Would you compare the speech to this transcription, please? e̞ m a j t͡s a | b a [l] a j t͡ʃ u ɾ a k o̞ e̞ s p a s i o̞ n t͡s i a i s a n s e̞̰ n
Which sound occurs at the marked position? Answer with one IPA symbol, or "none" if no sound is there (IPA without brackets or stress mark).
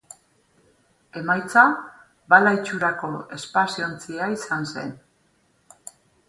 l